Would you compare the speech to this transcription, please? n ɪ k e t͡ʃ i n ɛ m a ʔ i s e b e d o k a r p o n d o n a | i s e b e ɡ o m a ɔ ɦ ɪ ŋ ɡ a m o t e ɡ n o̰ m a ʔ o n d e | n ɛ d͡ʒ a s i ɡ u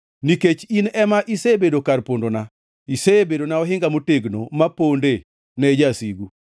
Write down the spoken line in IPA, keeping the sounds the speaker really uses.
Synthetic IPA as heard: n i k e t͡ʃ i n ɛ m a ʔ i s e b e d o k a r p o n d o n a | i s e b e d o n a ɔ ɦ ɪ ŋ ɡ a m o t e ɡ n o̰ m a p o n d e | n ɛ d͡ʒ a s i ɡ u